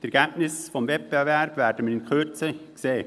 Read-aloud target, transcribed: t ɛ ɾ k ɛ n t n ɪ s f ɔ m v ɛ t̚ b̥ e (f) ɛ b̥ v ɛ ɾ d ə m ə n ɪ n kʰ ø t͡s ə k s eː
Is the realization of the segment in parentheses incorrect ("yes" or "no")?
yes